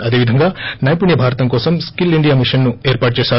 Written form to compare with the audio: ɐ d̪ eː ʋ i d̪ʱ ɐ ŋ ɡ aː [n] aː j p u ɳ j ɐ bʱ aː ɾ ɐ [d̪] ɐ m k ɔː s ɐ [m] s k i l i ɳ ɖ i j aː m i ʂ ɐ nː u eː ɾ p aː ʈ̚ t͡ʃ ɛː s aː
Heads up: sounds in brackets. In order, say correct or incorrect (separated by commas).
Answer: correct, incorrect, correct